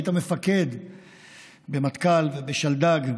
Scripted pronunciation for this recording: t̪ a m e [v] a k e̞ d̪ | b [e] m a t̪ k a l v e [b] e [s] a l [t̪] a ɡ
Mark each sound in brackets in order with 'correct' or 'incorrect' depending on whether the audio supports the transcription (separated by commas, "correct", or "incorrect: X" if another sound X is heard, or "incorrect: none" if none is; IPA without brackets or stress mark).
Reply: incorrect: f, correct, correct, incorrect: ʃ, incorrect: d̪